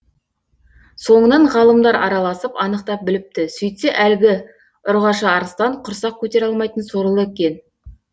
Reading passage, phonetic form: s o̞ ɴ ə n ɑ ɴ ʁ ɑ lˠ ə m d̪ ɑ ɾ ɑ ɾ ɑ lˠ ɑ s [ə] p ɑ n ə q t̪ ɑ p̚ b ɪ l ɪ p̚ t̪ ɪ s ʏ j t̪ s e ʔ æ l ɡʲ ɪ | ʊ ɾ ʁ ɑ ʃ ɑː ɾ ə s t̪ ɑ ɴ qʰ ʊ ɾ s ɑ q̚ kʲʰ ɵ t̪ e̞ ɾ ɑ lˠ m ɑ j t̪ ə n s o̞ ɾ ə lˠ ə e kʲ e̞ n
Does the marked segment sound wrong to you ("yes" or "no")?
no